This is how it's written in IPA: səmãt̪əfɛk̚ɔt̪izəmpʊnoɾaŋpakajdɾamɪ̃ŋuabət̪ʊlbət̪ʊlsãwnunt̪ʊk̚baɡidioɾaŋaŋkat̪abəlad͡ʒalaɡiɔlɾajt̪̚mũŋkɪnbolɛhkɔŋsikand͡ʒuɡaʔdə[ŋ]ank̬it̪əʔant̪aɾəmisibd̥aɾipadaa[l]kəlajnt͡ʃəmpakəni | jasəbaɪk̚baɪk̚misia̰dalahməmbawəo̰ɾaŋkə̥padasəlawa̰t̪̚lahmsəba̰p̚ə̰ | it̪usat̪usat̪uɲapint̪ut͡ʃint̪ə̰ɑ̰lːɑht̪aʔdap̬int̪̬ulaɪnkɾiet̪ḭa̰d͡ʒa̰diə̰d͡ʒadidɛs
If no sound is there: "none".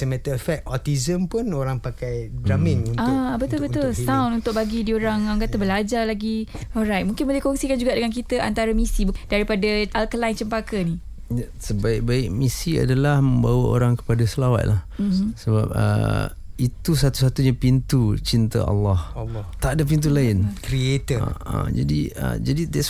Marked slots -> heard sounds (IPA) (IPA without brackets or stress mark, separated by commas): ŋ, l